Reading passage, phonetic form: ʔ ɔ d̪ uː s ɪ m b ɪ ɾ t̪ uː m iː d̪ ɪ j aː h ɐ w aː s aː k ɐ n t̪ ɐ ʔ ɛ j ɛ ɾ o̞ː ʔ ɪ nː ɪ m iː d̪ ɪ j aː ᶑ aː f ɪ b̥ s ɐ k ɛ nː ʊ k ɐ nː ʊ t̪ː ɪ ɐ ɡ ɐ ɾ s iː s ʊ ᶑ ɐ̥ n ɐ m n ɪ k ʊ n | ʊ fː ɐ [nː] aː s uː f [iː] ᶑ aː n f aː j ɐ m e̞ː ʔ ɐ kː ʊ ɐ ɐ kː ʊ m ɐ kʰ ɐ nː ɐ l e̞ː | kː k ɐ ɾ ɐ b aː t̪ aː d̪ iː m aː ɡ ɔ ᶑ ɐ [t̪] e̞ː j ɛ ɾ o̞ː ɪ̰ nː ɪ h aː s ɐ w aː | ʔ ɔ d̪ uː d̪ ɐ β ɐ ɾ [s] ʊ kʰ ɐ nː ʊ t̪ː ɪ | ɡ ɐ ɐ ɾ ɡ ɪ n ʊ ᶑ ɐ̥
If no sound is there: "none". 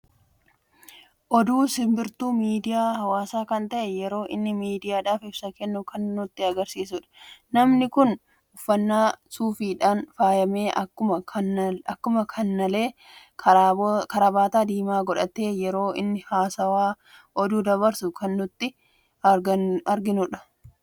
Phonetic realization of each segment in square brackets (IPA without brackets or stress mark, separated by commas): nː, iː, t̪, s